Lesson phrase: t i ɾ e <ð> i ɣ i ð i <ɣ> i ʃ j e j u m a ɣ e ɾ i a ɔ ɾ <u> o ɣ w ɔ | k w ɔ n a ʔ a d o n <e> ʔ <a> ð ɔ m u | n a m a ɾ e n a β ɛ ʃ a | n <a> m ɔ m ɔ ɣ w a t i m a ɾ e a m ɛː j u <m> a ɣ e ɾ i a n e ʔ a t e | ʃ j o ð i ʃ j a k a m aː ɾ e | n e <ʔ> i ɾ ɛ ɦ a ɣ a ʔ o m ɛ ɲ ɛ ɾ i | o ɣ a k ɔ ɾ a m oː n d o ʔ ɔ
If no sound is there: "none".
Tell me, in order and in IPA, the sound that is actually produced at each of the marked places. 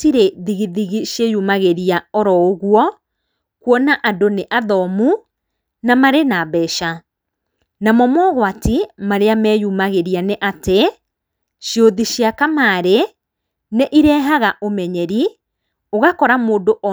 ð, ɣ, ɔ, e, a, a, m, ʔ

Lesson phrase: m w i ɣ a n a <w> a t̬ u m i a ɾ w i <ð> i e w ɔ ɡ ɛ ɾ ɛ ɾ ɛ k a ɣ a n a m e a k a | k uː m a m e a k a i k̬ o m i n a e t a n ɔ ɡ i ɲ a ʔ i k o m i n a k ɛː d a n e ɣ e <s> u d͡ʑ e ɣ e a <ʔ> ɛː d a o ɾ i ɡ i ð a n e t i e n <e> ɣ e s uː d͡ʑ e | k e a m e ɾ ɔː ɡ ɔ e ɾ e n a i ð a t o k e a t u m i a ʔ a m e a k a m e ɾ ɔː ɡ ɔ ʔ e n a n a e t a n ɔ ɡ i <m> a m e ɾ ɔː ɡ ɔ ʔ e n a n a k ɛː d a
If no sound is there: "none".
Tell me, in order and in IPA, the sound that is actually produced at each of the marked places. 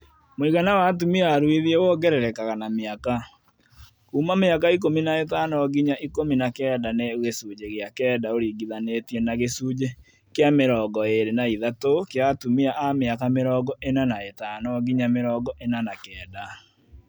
w, ð, s, k, a, ɲ

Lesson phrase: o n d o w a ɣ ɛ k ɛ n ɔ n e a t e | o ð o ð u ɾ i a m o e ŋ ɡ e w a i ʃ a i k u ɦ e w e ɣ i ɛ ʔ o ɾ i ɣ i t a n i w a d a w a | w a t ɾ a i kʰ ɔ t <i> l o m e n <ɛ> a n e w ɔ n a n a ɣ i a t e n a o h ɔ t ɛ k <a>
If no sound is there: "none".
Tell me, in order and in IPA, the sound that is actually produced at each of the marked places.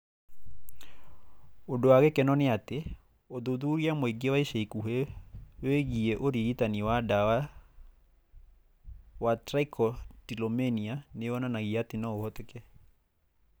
i, i, ɛ

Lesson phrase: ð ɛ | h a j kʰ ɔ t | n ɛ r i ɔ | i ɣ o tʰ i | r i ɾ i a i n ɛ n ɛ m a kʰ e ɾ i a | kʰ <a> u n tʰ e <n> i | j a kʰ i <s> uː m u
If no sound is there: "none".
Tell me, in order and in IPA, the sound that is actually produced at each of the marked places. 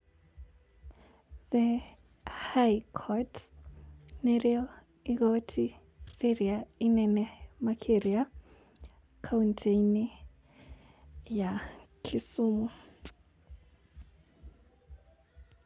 a, n, s

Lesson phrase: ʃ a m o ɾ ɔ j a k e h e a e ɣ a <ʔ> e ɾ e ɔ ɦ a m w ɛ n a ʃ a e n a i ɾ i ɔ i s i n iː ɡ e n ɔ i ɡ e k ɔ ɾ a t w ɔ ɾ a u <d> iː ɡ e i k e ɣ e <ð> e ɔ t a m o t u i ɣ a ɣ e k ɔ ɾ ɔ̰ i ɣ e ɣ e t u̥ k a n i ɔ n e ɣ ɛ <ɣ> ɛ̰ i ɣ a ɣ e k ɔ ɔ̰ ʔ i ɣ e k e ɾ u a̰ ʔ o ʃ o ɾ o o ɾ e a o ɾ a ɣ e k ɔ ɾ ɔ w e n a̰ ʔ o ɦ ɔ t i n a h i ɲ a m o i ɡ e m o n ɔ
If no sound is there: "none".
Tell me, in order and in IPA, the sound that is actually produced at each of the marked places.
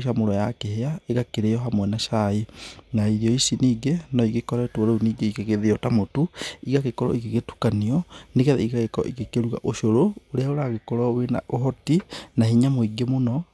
k, n, ð, ð

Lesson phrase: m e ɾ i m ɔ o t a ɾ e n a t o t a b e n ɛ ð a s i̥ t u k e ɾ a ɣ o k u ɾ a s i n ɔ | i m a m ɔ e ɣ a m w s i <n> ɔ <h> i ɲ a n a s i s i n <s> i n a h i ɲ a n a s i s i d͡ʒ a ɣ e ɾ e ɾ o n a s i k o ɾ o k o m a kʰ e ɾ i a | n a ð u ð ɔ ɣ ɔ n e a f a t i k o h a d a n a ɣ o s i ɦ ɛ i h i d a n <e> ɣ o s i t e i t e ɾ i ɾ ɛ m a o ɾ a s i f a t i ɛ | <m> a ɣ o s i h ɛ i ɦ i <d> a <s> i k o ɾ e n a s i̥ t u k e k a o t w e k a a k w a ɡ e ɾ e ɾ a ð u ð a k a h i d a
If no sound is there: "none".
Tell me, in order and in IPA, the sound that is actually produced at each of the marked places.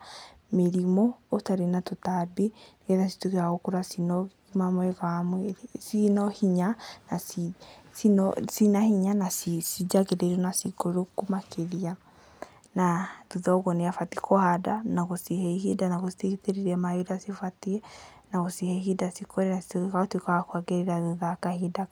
n, h, s, a, n, d, s

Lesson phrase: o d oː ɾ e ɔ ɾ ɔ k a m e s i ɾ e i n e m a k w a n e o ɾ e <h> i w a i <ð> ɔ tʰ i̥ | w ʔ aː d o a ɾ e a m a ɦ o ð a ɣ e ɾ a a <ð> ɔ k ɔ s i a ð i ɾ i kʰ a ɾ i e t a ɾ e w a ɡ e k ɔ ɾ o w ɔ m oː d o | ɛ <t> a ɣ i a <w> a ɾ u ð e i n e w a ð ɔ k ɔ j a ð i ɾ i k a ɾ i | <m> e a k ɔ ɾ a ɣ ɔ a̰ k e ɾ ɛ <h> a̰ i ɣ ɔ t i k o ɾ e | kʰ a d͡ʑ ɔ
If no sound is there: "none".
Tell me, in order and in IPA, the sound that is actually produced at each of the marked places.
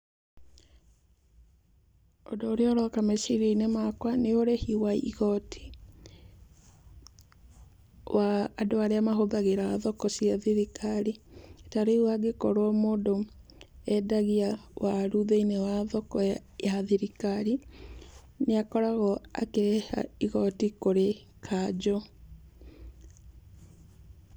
h, ɣ, ð, d, w, n, h

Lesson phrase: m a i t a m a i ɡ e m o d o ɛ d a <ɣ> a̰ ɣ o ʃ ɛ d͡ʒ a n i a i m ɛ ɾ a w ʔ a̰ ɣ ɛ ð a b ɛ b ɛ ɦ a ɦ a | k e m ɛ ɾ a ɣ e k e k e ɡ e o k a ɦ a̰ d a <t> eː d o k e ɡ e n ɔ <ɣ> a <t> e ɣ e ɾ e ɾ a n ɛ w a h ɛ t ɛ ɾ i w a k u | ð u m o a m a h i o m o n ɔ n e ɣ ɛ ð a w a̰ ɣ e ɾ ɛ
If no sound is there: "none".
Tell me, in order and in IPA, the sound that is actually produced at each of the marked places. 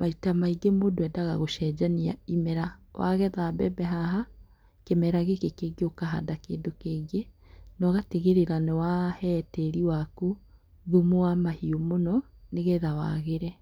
ɣ, k, ɣ, t

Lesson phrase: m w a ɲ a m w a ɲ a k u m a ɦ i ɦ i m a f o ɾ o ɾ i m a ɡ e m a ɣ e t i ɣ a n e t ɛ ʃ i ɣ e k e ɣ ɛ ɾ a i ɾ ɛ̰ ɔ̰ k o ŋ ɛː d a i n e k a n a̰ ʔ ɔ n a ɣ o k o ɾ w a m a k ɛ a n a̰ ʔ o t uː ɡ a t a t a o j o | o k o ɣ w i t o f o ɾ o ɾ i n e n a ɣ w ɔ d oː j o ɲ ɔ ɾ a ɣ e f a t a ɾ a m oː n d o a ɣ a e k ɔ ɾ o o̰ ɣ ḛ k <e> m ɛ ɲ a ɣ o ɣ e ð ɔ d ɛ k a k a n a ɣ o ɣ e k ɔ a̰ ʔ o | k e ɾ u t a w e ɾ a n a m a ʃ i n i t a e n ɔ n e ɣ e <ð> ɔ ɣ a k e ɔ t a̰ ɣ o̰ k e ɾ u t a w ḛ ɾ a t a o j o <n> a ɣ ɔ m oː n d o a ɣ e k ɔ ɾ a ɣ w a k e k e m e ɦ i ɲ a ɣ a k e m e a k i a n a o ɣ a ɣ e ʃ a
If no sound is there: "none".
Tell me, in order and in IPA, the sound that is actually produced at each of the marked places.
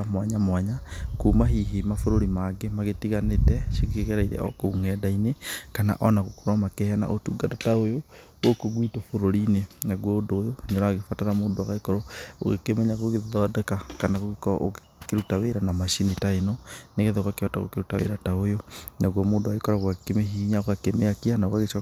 e, ð, n

